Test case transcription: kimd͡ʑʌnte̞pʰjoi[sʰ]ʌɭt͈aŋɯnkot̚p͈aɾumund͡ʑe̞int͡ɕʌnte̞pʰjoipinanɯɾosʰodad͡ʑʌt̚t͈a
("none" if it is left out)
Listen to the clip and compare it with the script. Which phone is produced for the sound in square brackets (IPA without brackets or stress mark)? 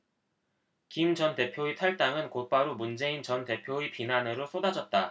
tʰ